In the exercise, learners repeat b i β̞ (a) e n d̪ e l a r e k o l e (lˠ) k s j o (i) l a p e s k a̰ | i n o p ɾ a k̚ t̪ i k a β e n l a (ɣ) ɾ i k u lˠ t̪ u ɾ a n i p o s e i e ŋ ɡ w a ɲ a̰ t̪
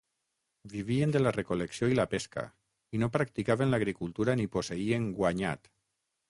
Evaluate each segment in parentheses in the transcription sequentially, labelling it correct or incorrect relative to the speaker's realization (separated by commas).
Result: incorrect, incorrect, correct, correct